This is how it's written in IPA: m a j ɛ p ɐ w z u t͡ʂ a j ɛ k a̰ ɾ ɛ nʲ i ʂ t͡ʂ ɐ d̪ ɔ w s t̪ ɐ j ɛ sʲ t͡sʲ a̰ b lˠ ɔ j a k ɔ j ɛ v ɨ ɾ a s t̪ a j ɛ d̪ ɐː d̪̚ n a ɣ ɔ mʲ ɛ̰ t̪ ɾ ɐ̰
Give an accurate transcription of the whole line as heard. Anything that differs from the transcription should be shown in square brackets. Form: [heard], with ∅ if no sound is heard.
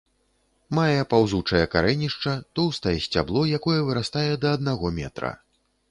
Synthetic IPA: m a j ɛ p [a] w z u t͡ʂ [ɐ] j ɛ k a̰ ɾ ɛ nʲ i ʂ t͡ʂ ɐ [t̪] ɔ w s t̪ ɐ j ɛ sʲ t͡sʲ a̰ b lˠ ɔ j a k ɔ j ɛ v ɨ ɾ a s t̪ a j ɛ d̪ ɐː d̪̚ n a ɣ ɔ mʲ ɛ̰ t̪ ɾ ɐ̰